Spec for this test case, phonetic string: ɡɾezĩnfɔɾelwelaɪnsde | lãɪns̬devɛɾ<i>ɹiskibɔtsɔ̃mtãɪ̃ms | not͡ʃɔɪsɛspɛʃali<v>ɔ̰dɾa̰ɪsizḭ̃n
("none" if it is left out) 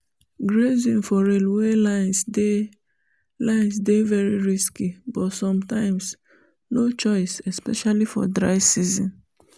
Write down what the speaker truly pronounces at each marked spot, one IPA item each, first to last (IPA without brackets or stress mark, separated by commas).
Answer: i, f